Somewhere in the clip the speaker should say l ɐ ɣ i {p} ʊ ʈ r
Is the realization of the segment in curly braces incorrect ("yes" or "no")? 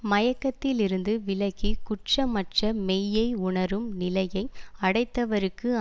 yes